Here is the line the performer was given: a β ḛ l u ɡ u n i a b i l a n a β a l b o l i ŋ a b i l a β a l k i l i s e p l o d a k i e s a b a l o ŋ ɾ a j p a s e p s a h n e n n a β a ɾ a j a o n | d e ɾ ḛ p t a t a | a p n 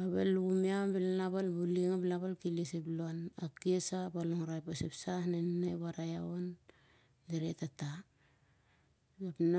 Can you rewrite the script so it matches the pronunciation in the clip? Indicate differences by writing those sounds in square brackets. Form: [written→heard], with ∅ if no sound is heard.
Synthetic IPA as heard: a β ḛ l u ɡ u [n→m] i a b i l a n a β a l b [o→u] l i ŋ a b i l a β a l k i l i s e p l o [d→n] a k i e s a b a l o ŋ ɾ a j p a s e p s a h n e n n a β a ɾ a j a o n | d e ɾ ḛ [p→∅] t a t a | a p n